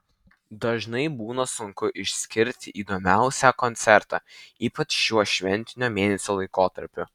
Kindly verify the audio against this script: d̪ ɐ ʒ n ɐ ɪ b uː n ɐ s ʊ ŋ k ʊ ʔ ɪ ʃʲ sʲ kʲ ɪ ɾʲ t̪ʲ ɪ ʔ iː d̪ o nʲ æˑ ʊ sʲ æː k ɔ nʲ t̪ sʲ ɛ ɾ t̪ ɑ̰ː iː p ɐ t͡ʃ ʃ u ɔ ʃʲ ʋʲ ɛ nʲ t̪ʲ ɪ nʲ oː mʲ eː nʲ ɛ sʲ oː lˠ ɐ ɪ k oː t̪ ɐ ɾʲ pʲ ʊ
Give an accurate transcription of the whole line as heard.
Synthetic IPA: d̪ ɐ ʒ n ɐ ɪ b uː n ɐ s ʊ ŋ k ʊ ʔ ɪ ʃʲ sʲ kʲ ɪ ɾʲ t̪ʲ ɪ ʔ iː d̪ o mʲ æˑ ʊ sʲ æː k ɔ nʲ t̪ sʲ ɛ ɾ t̪ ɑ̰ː iː p ɐ t͡ʃ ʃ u ɔ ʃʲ ʋʲ ɛ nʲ t̪ʲ ɪ nʲ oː mʲ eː nʲ ɛ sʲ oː lˠ ɐ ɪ k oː t̪ ɐ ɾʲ pʲ ʊ